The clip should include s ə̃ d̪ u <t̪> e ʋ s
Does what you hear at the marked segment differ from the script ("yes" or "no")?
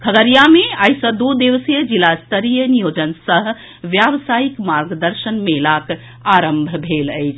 yes